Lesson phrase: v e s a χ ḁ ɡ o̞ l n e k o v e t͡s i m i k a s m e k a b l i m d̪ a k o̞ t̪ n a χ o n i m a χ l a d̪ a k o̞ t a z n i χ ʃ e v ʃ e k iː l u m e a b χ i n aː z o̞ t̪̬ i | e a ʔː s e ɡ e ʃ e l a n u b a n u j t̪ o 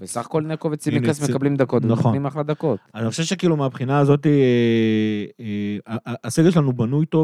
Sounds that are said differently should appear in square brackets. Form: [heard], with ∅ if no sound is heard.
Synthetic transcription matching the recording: v e s a χ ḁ [k] o̞ l n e k o v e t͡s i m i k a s m e k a b l i m d̪ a k o̞ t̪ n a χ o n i m a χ l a d̪ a k o̞ t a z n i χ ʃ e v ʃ e k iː l u m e a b χ i n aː z o̞ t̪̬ i | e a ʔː s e ɡ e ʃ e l a n u b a n u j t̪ o